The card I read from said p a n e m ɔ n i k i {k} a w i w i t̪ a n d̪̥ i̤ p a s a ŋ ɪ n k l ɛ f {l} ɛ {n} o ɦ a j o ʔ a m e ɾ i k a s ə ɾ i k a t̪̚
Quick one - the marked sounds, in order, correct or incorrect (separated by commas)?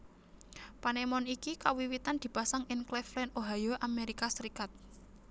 correct, correct, correct